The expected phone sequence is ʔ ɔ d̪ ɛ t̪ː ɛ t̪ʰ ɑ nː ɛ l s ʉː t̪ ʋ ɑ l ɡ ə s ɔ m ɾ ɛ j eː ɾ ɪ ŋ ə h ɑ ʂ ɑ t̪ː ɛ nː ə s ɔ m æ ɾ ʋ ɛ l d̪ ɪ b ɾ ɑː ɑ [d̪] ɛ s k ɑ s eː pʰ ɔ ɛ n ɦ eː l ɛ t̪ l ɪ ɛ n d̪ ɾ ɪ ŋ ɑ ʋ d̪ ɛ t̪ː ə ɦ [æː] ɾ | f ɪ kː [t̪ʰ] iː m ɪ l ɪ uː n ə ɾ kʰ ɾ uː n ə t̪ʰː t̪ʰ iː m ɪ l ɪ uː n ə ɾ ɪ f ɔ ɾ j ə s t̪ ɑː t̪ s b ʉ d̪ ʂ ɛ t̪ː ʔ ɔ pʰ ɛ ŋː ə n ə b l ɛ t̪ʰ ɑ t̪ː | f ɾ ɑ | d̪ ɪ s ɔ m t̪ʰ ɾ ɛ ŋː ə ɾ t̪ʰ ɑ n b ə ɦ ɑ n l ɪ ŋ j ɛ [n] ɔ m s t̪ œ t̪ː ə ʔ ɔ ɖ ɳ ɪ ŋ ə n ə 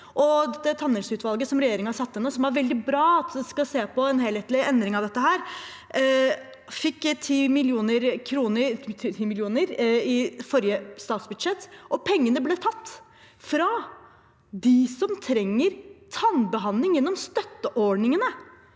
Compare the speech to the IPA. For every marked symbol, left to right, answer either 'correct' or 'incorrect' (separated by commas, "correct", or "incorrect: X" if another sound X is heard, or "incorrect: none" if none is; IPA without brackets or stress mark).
incorrect: t̪, correct, correct, incorrect: nː